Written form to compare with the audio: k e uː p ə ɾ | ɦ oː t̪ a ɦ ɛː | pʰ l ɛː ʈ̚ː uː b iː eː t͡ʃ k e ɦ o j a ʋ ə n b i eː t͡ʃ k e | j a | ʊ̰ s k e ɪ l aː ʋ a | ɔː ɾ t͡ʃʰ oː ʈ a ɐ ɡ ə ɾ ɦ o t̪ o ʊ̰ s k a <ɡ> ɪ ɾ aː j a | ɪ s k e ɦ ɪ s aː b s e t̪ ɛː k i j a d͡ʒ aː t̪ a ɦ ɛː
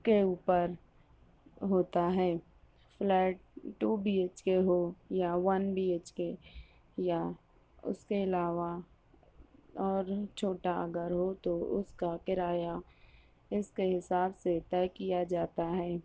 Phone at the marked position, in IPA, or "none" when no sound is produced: k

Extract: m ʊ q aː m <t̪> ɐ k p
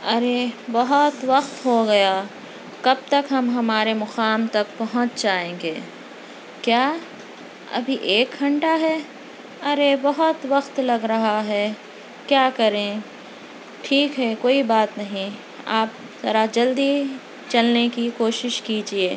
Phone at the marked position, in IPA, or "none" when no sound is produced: t̪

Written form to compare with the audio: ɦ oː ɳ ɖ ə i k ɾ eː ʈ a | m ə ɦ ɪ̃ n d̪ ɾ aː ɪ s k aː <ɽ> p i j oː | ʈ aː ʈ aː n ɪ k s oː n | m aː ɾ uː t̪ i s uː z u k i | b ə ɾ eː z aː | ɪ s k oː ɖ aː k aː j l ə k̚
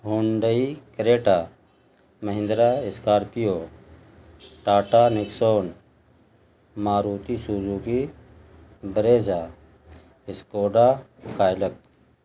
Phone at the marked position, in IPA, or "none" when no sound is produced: ɾ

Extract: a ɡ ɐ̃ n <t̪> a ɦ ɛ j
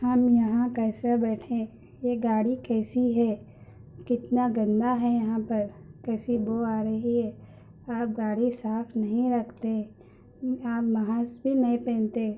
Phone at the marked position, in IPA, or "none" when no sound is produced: d̪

